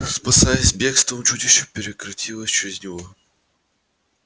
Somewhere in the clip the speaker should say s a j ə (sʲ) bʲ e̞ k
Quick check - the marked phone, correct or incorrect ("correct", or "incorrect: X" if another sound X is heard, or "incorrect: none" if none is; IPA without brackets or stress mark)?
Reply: correct